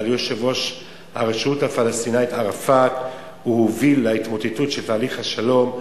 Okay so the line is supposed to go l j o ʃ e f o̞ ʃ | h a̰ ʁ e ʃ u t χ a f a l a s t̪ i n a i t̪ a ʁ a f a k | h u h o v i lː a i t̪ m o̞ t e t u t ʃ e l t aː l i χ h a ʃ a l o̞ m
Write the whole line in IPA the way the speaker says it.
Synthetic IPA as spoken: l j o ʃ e v o̞ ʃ | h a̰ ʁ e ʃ u t h a f a l a s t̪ i n a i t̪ a ʁ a f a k | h u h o v i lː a i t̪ m o̞ t e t u t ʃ e l t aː l i χ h a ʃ a l o̞ m